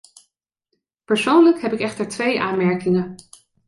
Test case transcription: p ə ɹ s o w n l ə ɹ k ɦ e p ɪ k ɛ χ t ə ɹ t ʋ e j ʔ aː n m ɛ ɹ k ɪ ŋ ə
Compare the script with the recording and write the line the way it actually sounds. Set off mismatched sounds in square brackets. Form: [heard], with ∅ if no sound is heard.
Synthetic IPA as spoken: p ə ɹ s o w n l ə [∅] k ɦ [ɛ] p ɪ k ɛ χ t ə ɹ t ʋ e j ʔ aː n m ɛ ɹ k ɪ ŋ ə